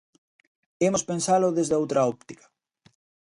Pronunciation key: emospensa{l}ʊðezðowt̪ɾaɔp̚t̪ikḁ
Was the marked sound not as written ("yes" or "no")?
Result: no